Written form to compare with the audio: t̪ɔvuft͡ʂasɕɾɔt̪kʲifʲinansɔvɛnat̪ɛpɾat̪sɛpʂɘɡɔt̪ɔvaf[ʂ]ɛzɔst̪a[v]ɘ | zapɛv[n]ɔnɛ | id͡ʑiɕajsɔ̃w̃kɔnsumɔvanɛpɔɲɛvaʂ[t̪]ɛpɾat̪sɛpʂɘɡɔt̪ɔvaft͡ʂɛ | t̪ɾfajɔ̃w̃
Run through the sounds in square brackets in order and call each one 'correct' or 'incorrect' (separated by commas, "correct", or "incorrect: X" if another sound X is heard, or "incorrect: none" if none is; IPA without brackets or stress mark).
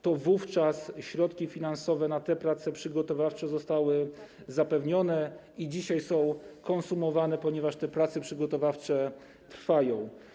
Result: incorrect: t͡ʂ, incorrect: w, incorrect: ɲ, correct